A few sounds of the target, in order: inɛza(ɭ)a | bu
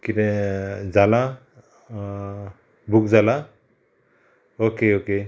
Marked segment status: incorrect: l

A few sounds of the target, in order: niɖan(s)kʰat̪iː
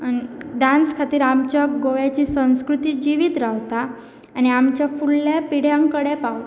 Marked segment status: correct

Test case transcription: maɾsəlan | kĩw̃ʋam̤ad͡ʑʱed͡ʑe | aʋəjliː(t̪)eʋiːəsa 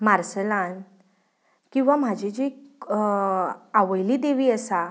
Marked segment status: incorrect: d̪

